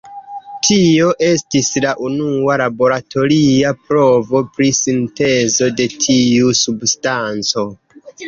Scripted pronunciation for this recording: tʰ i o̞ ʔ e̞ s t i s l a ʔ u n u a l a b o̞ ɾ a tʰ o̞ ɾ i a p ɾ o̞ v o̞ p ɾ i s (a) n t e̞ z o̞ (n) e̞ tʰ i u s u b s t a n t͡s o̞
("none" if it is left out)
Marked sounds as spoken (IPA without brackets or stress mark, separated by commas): i, d